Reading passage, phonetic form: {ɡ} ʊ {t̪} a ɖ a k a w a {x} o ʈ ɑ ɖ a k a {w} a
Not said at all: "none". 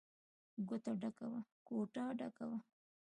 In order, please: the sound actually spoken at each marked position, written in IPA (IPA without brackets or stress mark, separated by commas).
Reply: ɡ, t̪, k, w